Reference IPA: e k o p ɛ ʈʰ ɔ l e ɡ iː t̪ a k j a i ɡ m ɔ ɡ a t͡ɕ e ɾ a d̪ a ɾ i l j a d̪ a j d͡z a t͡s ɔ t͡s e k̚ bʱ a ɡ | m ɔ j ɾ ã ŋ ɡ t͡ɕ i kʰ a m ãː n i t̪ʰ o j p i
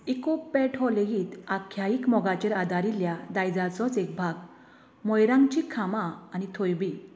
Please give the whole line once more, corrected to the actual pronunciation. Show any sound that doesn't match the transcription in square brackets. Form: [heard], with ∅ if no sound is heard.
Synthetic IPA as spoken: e k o p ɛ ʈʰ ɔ l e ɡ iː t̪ a [kʰ] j a i [k] m ɔ ɡ a t͡ɕ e ɾ a d̪ a ɾ i l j a d̪ a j d͡z a t͡s ɔ t͡s e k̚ bʱ a ɡ | m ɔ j ɾ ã ŋ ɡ t͡ɕ i kʰ a m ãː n i t̪ʰ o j [b] i